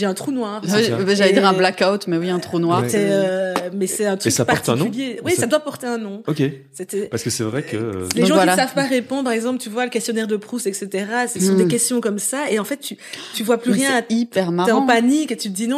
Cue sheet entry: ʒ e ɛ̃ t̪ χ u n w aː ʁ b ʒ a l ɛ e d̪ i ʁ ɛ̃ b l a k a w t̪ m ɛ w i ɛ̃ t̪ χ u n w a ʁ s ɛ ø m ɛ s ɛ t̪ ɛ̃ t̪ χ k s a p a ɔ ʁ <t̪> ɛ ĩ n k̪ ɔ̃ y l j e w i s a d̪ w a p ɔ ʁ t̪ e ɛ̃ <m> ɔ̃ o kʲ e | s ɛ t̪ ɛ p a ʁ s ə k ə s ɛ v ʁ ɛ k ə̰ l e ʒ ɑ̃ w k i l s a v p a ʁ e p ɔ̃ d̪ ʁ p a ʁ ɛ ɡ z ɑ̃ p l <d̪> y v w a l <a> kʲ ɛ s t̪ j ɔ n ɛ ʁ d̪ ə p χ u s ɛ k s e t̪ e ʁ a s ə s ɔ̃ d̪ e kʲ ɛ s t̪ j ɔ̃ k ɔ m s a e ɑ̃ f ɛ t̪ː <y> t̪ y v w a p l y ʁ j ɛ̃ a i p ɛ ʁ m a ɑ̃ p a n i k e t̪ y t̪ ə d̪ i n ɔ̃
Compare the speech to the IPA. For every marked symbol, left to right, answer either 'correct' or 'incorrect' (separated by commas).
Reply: correct, incorrect, incorrect, incorrect, correct